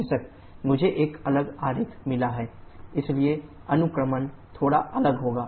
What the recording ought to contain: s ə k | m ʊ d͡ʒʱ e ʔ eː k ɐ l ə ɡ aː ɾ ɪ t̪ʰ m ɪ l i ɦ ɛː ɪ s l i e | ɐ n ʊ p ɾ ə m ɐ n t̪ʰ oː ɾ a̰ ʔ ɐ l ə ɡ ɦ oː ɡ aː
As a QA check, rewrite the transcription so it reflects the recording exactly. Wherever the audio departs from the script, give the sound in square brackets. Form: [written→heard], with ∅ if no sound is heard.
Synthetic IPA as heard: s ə k | m ʊ d͡ʒʱ e ʔ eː k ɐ l ə ɡ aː ɾ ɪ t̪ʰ m ɪ l [i→a] ɦ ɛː ɪ s l i e | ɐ n ʊ [p→k] ɾ ə m [ɐ→ə] n t̪ʰ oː [ɾ→ɽ] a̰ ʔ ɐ l ə ɡ ɦ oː ɡ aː